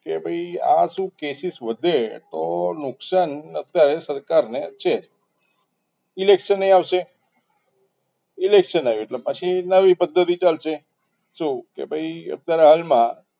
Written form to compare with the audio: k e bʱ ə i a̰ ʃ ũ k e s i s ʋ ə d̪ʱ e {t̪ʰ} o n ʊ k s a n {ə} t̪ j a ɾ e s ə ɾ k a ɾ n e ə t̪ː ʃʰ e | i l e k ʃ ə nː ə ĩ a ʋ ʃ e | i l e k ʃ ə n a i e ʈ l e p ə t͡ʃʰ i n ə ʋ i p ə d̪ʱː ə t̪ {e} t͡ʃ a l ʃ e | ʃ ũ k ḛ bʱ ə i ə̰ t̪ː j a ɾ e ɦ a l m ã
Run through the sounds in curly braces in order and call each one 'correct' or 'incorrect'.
incorrect: t̪, correct, incorrect: i

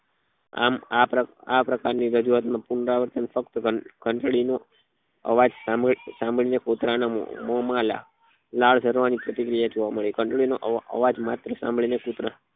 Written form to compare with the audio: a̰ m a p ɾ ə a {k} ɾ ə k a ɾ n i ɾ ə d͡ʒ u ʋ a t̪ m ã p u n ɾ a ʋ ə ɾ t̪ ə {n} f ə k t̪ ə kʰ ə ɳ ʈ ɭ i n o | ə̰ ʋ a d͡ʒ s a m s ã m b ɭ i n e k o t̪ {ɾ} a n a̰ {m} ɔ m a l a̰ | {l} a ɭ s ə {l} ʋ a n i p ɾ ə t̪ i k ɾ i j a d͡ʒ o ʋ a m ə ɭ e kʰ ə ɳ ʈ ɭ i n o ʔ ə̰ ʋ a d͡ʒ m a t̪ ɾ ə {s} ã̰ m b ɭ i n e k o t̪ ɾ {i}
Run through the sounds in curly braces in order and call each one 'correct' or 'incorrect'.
incorrect: p, correct, correct, correct, correct, incorrect: ɾ, correct, incorrect: a

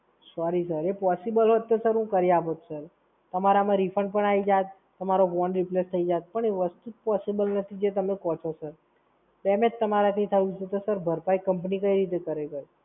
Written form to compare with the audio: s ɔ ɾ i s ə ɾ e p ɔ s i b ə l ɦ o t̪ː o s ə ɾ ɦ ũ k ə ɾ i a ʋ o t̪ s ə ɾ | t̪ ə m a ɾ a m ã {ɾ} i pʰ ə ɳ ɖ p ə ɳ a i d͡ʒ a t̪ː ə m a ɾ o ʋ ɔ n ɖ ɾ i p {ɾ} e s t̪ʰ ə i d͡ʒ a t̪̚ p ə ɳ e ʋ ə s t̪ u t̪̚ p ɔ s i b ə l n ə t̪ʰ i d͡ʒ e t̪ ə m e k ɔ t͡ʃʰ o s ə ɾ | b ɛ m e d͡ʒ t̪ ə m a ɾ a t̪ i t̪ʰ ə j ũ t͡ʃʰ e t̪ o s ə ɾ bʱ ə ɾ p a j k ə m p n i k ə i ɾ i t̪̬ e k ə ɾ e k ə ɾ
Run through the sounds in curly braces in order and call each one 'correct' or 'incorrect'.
correct, incorrect: l

